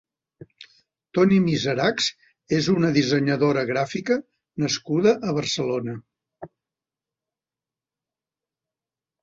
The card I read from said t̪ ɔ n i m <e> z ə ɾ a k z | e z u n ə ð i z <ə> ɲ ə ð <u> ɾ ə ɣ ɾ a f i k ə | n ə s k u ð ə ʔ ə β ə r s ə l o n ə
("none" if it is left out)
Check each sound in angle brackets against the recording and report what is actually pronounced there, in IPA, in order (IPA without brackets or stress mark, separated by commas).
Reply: i, ə, o